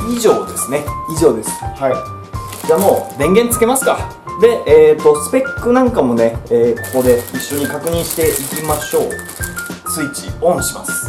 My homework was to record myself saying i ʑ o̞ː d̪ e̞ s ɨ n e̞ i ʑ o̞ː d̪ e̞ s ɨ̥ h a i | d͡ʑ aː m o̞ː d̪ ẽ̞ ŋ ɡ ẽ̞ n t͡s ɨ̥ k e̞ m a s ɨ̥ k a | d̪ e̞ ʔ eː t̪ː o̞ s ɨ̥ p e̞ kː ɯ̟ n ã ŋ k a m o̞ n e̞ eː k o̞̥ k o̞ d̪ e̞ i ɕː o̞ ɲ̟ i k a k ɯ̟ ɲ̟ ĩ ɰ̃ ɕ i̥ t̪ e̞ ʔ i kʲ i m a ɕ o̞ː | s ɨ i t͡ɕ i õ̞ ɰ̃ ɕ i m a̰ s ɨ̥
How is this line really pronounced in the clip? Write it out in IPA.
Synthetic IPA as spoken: i ʑ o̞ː d̪ e̞ s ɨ n e̞ i ʑ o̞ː d̪ e̞ s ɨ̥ h a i | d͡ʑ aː m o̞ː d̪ ẽ̞ ŋ ɡ ẽ̞ n t͡s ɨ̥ k e̞ m a s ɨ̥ k a | d̪ e̞ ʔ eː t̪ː o̞ s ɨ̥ p e̞ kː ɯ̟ n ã ŋ k a m o̞ n e̞ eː k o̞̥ k o̞ d̪ e̞ i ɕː o̞ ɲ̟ i k a k ɯ̟ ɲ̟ ĩ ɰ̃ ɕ i̥ t̪ e̞ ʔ i kʲ i m a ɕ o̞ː | s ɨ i t͡ɕ i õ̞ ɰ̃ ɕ i m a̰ s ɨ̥